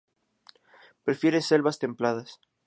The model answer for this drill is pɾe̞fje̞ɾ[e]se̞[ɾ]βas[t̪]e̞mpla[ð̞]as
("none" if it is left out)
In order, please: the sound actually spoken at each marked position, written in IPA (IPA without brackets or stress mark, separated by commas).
e, l, t̪, ð̞